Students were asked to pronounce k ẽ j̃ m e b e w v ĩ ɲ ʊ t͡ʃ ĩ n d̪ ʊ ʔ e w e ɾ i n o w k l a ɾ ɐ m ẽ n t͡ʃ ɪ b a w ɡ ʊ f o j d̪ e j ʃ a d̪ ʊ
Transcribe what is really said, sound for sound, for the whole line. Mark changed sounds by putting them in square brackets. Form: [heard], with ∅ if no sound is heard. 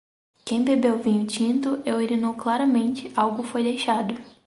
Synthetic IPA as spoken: k ẽ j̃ [b] e b e w v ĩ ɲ ʊ t͡ʃ ĩ n [t̪] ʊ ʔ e w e ɾ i n o w k l a ɾ ɐ m ẽ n t͡ʃ ɪ [∅] a w ɡ ʊ f o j d̪ e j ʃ a d̪ ʊ